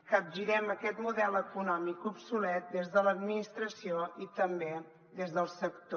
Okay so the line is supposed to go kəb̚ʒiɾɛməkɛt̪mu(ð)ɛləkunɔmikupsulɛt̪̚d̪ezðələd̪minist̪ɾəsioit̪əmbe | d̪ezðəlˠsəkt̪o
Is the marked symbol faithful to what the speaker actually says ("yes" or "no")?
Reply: yes